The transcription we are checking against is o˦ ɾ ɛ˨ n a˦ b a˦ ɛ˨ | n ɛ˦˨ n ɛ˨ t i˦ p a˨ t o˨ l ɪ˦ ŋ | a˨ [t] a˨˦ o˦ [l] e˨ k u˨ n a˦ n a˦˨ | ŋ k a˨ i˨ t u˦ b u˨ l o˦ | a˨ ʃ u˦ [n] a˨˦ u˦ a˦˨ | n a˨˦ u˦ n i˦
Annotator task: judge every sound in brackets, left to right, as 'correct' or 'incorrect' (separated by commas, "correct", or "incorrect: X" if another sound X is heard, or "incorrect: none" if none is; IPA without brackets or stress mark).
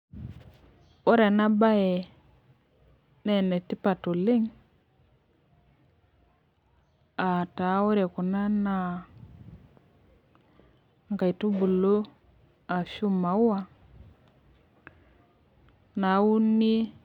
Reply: correct, incorrect: ɾ, incorrect: m